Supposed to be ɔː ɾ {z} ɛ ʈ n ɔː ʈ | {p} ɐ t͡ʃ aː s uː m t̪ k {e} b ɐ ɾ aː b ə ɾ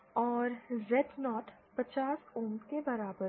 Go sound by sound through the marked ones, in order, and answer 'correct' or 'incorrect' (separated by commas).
correct, correct, correct